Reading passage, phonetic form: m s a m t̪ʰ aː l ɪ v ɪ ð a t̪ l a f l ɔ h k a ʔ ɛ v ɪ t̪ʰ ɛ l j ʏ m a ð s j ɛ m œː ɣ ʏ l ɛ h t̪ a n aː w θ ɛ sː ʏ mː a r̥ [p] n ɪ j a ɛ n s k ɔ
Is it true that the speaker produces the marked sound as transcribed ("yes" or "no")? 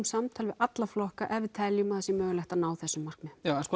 no